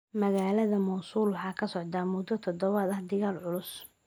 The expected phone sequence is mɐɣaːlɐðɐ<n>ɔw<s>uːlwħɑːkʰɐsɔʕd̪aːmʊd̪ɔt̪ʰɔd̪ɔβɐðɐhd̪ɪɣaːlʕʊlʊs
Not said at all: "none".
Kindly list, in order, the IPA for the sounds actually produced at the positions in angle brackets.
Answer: m, s

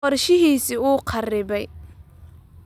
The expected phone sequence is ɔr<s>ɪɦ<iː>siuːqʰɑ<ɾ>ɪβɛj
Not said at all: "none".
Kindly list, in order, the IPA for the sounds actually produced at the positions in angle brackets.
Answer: ʃ, iː, r

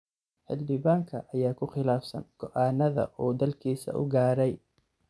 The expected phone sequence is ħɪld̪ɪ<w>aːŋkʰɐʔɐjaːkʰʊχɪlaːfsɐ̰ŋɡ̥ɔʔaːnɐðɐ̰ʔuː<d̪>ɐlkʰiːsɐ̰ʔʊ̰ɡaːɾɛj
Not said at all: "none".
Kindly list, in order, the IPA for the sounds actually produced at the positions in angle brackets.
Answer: β, d̪

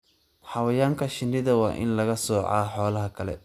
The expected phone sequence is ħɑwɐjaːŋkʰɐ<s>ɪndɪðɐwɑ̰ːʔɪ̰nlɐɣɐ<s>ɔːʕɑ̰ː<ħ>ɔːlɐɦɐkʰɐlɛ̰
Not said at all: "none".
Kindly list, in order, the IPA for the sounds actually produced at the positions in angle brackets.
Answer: ʃ, s, ħ

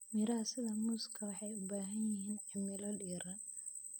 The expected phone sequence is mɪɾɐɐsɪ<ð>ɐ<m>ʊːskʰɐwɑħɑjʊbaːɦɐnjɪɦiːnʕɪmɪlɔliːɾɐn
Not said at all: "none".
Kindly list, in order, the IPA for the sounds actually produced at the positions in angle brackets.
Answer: ð, m

